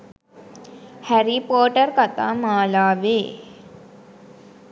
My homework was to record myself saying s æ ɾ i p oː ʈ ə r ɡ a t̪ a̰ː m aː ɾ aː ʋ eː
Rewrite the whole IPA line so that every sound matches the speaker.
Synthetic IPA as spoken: h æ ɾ i p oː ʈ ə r k a t̪ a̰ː m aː l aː ʋ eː